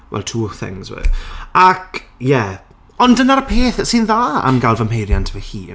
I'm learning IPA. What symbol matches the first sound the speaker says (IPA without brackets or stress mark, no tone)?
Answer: w